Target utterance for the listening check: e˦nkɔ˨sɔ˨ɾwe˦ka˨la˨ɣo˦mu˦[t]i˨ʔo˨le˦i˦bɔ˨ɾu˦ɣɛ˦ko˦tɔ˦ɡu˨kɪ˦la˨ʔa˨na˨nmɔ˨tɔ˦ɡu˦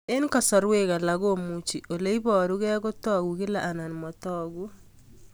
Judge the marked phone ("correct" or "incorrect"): incorrect